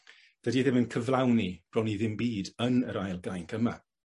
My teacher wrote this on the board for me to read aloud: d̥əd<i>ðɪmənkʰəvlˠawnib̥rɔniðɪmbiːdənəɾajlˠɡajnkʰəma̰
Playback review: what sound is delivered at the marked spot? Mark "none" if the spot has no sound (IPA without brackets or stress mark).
i